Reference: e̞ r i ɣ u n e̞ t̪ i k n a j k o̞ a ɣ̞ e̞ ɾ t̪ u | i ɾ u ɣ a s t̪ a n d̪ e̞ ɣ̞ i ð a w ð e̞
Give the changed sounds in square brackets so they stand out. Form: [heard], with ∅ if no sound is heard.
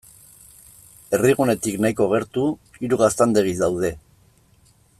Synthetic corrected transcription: e̞ r i ɣ u n e̞ t̪ i k n a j k o̞ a ɣ̞ e̞ ɾ t̪ u | i ɾ u ɣ a s t̪ a n d̪ e̞ ɣ̞ i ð a w ð e̞